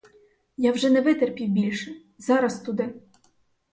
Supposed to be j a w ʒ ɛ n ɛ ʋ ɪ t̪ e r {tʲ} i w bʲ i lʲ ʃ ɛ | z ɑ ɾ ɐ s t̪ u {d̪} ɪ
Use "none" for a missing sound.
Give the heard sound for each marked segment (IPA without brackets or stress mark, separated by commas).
pʲ, d̪